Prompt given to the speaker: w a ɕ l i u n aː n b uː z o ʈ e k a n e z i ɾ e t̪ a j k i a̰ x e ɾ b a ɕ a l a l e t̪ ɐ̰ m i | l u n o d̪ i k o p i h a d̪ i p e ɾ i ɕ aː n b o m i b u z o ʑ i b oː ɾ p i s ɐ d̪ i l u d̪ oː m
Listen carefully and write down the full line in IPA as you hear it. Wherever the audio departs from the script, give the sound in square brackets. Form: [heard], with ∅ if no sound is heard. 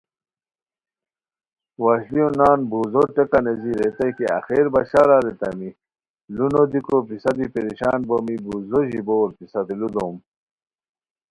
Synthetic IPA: w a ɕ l i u n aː n b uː z o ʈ e k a n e z i ɾ e t̪ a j k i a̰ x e ɾ b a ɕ a [ɾ] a [ɾ] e t̪ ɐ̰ m i | l u n o d̪ i k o p i [s] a d̪ i p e ɾ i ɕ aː n b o m i b u z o ʑ i b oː ɾ p i s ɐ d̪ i l u d̪ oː m